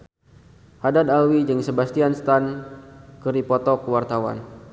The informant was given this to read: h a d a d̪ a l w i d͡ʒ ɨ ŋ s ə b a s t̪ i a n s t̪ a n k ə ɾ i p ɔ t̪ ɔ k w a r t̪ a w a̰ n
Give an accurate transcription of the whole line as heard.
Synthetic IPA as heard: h a d a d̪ a l w i d͡ʒ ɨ ŋ s ə b a s t̪ i a n s t̪ a n k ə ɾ i p ɔ t̪ ɔ k w a r t̪ a w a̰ n